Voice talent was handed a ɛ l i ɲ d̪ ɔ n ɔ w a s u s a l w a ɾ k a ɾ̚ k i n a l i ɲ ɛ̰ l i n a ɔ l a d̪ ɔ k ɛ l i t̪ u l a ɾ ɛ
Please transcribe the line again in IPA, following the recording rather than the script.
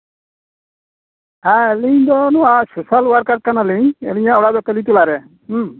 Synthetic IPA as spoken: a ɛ l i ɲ d̪ ɔ n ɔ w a s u s a l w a ɾ k a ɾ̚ k a n a l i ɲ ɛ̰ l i ɲ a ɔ ɽ a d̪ ɔ k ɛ l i t̪ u l a ɾ ɛ